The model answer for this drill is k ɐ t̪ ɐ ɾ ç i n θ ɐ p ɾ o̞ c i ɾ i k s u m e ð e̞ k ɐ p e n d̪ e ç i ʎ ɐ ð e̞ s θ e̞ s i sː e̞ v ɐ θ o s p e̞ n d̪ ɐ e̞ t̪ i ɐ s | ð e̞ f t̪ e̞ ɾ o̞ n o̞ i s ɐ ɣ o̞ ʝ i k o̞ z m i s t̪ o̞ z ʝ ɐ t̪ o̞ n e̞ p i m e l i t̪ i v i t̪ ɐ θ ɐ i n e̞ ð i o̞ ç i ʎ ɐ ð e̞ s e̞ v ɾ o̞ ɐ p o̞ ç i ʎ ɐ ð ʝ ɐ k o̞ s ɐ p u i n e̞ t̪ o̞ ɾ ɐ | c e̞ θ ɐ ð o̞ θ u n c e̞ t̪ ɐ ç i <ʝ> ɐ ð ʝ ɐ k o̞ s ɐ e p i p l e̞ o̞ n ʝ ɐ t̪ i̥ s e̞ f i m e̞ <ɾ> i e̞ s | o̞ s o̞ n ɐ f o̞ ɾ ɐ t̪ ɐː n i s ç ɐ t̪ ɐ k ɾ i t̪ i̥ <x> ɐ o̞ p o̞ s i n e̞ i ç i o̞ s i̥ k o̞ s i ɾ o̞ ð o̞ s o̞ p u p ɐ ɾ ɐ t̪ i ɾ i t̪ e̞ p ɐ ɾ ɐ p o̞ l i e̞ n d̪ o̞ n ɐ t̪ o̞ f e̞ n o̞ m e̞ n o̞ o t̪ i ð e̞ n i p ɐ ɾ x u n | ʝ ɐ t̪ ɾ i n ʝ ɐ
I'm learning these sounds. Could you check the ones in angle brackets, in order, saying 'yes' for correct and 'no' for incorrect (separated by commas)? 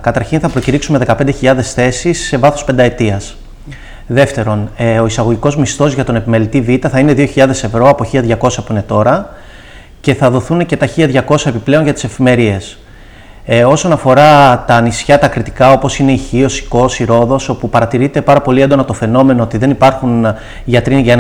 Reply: no, yes, no